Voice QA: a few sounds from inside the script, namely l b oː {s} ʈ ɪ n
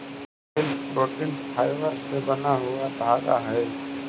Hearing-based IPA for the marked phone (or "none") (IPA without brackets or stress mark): none